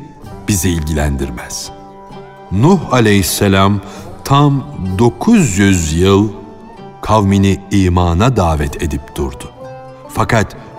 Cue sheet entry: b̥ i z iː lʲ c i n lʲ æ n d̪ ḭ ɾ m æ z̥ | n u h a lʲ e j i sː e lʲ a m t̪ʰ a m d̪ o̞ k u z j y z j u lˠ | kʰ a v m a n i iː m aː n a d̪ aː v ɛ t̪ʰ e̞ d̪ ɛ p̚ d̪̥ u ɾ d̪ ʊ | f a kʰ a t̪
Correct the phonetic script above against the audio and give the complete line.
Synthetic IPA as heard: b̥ i z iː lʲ ɟ i lʲ æ n d̪ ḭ ɾ m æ z̥ | n u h a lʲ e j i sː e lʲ a m t̪ʰ a m d̪ o̞ kʰ u z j y z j ɯ lˠ | kʰ a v m i n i iː m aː n a d̪ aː v ɛ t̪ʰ e̞ d̪ i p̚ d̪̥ u ɾ d̪ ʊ | f a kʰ a t̪